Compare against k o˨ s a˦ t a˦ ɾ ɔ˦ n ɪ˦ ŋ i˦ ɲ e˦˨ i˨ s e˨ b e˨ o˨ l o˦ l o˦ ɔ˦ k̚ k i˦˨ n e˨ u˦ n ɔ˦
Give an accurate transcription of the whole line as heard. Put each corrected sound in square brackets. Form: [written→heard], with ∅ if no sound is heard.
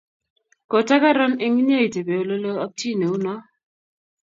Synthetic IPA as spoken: k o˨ [s→t] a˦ [t→k] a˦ ɾ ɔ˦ n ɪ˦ ŋ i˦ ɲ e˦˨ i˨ [s→t] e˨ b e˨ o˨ l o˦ l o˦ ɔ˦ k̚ [k→t] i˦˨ n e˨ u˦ n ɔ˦

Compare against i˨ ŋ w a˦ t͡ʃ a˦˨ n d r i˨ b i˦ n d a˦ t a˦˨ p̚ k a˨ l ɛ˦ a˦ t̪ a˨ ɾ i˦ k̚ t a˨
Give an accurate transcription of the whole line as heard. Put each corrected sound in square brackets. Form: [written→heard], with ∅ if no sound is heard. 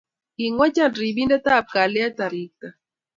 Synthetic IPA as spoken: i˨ ŋ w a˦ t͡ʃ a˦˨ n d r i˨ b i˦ n d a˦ t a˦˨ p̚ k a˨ l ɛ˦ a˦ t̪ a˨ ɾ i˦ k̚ t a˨

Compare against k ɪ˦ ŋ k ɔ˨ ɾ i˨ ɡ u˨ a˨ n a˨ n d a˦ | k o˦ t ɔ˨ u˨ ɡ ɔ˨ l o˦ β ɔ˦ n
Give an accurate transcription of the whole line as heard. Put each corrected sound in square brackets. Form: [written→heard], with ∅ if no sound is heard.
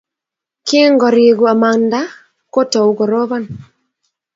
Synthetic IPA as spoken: k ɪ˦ ŋ [k→ɡ] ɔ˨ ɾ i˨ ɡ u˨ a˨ [n→m] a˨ n d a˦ | k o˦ t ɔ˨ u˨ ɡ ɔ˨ [l→ɾ] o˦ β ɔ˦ n

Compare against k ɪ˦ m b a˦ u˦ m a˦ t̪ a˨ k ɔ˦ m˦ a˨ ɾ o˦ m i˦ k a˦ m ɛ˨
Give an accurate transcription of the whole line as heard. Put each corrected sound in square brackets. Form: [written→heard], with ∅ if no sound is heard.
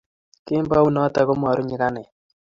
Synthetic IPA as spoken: k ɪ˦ m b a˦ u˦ [m→n] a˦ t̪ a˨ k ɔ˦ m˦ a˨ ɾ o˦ [m→ɲ] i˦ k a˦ [m→n] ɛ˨

